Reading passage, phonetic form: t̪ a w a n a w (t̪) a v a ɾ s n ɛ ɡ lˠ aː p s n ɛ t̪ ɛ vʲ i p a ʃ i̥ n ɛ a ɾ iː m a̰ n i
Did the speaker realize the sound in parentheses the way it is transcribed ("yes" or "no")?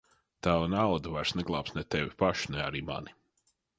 no